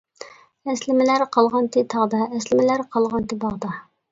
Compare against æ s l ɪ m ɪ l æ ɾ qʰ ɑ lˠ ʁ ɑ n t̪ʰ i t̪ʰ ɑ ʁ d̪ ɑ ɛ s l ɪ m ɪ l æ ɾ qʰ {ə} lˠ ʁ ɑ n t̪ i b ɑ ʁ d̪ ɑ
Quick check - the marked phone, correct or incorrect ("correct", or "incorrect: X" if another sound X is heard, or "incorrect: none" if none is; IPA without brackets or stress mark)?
incorrect: ɑ